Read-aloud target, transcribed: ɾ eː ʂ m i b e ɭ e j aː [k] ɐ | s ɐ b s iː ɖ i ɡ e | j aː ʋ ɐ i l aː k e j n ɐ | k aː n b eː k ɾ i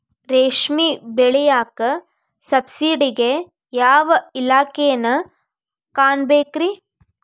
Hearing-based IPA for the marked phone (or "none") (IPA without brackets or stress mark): k